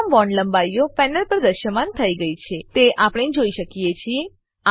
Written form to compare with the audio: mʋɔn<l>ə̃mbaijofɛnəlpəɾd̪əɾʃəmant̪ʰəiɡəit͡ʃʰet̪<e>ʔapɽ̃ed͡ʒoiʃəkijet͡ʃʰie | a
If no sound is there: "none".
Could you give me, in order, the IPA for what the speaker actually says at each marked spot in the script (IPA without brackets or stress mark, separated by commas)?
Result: l, e